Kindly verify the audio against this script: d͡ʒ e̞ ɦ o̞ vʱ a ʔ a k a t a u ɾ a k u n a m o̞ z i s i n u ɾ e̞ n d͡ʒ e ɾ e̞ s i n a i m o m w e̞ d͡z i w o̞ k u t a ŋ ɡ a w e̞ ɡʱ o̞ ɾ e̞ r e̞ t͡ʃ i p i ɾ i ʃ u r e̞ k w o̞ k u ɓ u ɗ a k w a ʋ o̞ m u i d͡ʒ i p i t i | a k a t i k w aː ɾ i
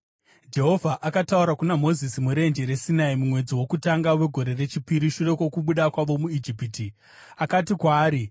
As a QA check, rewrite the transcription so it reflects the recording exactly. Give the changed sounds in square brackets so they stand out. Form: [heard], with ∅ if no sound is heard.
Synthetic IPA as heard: d͡ʒ e̞ ɦ o̞ vʱ a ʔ a k a t a u ɾ a k u n a m o̞ z i s i [m] u ɾ e̞ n d͡ʒ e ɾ e̞ s i n a i m [u] m w e̞ d͡z i w o̞ k u t a ŋ ɡ a w e̞ ɡʱ o̞ ɾ e̞ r e̞ t͡ʃ i p i ɾ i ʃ u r e̞ k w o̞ k u ɓ u ɗ a k w a ʋ o̞ m u i d͡ʒ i p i t i | a k a t i k w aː ɾ i